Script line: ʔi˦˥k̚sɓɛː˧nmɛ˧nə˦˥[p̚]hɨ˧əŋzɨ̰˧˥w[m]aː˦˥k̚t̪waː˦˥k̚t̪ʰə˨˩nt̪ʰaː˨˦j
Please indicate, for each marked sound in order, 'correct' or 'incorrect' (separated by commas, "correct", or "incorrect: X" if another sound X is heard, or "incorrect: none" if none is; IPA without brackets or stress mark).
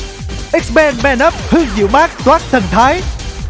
correct, correct